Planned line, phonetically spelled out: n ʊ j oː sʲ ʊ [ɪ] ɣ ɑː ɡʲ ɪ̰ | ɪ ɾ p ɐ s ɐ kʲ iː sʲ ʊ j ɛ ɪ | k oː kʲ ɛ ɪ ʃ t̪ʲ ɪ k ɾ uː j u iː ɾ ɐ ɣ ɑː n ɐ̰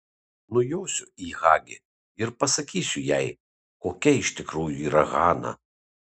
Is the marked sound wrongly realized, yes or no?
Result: yes